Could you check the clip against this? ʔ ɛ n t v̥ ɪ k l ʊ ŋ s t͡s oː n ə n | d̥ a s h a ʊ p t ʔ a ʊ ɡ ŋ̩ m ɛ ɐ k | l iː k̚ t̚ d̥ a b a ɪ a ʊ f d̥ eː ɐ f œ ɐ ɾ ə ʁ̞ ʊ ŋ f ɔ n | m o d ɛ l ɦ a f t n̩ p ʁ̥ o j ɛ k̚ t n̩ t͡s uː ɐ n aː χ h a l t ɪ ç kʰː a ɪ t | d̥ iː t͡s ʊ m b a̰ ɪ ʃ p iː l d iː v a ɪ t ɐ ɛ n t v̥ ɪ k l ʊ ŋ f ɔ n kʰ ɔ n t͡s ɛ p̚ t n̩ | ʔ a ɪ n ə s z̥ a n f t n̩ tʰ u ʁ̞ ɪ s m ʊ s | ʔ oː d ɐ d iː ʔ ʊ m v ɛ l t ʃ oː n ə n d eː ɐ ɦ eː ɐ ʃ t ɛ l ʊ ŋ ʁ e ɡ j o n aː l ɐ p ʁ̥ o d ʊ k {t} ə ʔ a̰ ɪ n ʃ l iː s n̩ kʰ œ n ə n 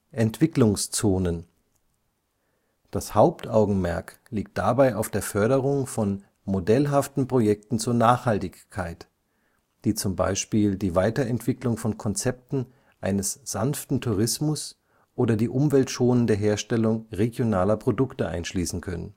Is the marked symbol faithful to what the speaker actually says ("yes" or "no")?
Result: yes